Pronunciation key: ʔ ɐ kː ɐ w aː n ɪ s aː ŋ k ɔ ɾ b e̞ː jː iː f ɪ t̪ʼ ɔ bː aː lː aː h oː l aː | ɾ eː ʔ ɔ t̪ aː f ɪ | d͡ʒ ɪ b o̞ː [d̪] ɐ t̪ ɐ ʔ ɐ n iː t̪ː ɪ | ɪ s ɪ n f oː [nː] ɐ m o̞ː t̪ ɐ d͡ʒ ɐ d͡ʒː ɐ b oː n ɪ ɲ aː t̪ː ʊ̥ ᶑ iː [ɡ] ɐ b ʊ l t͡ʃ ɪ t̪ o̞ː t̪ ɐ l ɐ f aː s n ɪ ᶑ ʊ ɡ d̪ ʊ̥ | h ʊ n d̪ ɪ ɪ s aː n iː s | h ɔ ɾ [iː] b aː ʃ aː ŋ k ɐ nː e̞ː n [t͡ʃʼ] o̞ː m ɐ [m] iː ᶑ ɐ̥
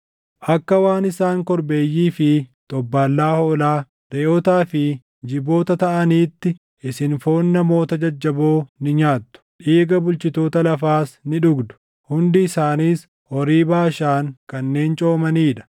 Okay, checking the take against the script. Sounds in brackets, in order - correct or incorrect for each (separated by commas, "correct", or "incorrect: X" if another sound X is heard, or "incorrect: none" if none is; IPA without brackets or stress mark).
incorrect: t̪, correct, correct, correct, correct, incorrect: n